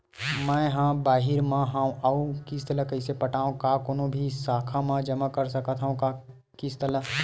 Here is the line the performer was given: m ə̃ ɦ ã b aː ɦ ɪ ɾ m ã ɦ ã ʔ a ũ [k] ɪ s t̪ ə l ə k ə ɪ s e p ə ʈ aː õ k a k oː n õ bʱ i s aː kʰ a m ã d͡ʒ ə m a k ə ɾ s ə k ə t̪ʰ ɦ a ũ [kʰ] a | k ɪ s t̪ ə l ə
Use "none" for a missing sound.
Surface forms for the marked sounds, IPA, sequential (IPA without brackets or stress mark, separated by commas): k, k